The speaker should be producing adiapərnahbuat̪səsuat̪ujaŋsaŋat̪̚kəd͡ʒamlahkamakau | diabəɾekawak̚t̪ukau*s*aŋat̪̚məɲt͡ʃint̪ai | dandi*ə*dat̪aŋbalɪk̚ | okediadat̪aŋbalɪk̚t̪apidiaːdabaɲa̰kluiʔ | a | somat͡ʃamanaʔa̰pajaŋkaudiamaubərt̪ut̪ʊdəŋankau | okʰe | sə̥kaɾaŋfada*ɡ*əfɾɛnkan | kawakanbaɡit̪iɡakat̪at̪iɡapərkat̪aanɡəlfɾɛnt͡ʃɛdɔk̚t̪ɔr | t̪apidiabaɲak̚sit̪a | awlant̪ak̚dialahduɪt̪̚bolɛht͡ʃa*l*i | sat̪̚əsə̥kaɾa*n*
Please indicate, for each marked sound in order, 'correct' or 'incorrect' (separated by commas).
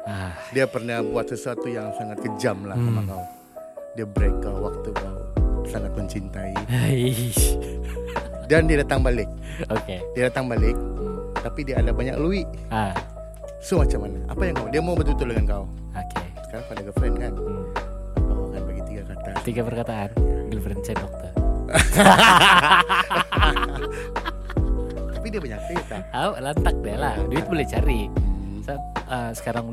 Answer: correct, incorrect, correct, incorrect, incorrect